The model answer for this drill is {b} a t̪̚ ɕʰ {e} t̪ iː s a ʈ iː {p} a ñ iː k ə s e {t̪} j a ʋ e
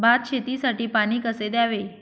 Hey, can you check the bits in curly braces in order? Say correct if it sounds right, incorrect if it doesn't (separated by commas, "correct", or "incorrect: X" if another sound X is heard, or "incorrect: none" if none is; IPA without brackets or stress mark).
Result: correct, correct, correct, incorrect: d̪